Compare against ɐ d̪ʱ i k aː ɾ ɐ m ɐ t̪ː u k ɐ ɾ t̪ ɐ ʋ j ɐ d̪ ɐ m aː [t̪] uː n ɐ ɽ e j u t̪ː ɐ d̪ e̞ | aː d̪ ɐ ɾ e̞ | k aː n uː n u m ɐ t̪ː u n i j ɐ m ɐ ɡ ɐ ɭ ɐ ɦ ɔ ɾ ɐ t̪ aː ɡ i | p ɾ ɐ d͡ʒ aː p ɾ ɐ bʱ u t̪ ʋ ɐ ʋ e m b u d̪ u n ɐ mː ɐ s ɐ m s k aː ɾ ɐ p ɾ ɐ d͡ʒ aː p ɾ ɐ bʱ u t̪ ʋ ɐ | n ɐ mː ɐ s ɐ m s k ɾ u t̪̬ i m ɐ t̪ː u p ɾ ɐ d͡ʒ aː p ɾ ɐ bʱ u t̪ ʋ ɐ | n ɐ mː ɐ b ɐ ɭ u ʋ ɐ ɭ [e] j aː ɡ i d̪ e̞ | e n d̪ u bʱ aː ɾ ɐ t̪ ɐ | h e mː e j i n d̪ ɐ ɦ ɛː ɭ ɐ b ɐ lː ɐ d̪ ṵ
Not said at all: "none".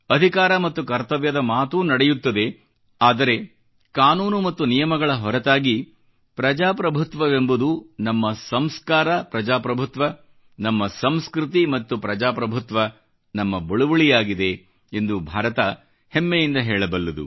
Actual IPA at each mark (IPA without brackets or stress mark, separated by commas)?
t̪, i